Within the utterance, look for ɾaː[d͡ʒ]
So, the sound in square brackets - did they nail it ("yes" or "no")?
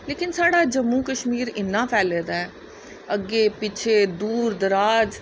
yes